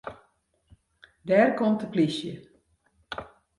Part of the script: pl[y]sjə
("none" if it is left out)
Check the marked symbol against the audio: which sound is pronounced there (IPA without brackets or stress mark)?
i